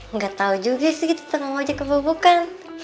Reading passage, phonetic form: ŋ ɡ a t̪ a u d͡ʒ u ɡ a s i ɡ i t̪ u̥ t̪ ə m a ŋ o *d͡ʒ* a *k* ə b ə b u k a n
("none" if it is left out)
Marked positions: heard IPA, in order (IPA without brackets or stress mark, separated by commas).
d͡ʒ, k